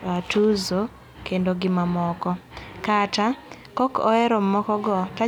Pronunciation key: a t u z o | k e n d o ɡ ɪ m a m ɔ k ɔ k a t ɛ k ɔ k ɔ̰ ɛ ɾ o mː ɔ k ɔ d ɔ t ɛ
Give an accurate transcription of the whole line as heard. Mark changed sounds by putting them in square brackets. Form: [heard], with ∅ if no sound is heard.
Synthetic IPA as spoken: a t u z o | k e n d o ɡ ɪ m a m ɔ k ɔ k a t [a] k ɔ k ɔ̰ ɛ ɾ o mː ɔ k ɔ [ɡ] ɔ t [a]